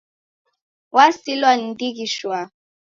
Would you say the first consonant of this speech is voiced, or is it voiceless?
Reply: voiced